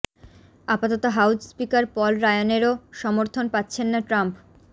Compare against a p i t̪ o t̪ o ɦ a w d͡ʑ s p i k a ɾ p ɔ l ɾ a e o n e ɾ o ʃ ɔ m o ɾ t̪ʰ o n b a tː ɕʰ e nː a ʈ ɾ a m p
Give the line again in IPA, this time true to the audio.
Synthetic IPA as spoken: a p a t̪ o t̪ o ɦ a w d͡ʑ s p i k a ɾ p ɔ l ɾ a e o n e ɾ o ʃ ɔ m o ɾ t̪ʰ o n p a tː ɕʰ e nː a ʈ ɾ a m p